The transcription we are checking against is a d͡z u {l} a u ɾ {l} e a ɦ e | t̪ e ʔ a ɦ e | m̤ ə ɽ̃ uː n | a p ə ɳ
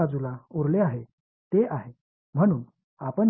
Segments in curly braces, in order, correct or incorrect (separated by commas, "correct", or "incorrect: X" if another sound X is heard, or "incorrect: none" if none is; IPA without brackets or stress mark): correct, correct